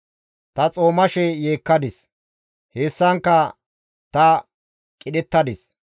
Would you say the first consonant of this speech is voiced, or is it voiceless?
voiceless